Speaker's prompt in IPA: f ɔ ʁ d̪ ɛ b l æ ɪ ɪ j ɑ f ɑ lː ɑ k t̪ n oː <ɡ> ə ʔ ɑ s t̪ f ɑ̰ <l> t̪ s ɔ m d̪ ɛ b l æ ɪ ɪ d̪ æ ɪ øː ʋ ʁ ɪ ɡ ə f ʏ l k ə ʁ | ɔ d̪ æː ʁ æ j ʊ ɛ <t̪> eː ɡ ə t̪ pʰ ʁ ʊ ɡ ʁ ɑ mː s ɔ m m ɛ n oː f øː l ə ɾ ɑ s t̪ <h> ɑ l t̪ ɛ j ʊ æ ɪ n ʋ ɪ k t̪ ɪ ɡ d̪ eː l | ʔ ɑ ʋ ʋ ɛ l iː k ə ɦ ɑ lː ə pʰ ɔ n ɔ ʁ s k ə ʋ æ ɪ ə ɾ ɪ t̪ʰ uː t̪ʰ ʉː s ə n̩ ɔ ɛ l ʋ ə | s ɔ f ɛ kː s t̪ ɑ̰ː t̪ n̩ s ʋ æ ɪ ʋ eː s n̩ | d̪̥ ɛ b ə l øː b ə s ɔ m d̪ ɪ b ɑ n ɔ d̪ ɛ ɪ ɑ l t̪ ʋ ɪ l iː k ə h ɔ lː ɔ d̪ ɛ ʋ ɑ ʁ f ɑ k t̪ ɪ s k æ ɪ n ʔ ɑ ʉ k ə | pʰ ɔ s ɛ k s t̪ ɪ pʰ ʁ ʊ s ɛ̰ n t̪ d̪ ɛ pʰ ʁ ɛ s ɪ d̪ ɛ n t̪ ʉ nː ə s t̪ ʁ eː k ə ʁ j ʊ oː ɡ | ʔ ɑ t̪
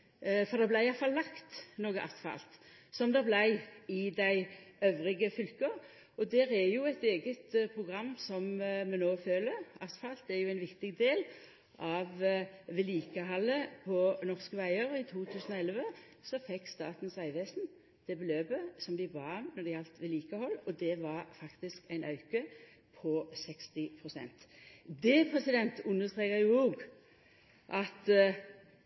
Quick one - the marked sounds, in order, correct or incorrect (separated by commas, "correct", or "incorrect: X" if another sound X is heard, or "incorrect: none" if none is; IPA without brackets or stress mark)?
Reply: correct, correct, correct, incorrect: f